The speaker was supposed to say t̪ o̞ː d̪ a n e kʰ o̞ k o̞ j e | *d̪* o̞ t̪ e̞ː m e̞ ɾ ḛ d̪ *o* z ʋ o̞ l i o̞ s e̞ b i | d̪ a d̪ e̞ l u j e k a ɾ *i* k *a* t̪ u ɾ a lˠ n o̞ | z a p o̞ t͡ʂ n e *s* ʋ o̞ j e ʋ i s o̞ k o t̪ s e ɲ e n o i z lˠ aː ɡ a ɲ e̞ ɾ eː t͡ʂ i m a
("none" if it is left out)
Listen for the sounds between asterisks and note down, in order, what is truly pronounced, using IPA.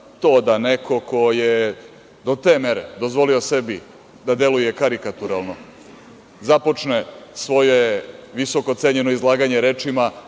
d̪, o, i, a, s

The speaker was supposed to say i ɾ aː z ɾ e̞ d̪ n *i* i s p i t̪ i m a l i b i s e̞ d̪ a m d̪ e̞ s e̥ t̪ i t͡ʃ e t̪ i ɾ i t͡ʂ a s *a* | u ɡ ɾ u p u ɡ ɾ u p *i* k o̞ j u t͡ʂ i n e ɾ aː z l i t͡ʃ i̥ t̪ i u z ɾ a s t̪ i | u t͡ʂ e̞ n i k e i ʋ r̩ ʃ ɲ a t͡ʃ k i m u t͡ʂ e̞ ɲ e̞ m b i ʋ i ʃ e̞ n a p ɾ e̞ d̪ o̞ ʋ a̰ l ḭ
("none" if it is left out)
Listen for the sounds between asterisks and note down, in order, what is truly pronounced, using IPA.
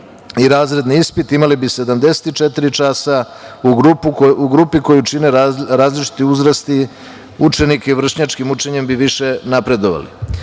i, a, i

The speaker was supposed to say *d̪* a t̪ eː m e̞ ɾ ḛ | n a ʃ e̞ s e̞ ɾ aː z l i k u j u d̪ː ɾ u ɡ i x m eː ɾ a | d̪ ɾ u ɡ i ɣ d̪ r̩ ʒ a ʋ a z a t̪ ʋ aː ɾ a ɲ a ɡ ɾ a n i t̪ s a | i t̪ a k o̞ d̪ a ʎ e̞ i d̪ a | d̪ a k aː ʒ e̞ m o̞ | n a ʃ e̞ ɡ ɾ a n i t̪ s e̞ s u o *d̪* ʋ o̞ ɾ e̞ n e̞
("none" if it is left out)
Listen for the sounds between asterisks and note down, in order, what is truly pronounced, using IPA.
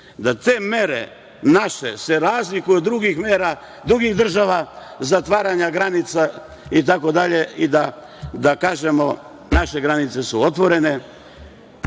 d̪, t̪

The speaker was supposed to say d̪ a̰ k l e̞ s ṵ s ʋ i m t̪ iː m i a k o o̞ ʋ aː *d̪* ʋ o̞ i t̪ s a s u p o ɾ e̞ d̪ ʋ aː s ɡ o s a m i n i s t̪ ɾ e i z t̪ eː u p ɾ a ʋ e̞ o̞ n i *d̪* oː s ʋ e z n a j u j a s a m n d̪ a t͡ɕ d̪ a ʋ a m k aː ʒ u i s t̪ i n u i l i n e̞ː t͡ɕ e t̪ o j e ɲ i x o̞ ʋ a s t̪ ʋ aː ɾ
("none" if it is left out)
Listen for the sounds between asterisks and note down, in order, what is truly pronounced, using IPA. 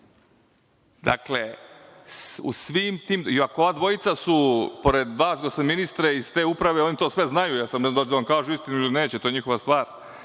d̪, t̪

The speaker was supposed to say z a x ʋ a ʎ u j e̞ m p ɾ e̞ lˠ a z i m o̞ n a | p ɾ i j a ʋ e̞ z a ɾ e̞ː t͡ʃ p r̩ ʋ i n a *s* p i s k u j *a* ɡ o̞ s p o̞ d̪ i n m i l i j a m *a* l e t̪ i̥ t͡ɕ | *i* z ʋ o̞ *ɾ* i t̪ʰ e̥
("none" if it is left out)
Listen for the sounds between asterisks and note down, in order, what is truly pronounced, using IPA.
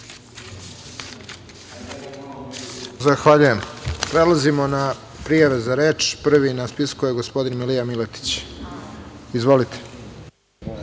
s, e, i, i, l

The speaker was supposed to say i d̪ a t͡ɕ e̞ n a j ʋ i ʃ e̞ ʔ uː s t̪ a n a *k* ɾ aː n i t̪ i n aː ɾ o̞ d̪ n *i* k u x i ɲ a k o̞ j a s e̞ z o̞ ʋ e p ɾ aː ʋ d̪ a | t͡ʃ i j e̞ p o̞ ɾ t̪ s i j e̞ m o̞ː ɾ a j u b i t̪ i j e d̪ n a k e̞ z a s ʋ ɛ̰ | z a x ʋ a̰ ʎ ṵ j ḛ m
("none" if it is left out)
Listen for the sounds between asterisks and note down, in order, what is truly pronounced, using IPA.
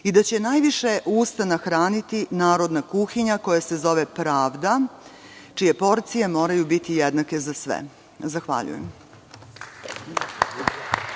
x, a

